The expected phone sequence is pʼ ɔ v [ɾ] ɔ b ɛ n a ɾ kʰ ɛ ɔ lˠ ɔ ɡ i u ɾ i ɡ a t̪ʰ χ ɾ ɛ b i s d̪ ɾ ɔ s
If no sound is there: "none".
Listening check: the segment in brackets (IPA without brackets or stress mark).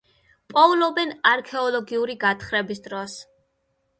l